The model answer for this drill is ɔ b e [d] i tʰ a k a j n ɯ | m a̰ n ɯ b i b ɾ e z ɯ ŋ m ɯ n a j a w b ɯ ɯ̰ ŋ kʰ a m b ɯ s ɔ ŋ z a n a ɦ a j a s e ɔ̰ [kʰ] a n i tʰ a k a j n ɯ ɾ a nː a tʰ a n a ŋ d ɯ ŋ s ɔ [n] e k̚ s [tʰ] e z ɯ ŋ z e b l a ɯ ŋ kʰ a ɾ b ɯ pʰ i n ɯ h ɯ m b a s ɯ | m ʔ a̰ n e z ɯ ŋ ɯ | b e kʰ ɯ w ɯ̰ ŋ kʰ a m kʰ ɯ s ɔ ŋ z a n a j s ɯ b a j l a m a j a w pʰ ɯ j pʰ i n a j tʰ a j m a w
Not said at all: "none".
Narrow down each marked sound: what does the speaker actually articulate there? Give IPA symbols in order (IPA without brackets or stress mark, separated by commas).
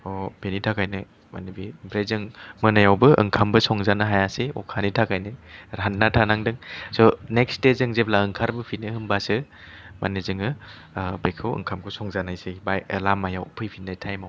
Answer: n, kʰ, n, t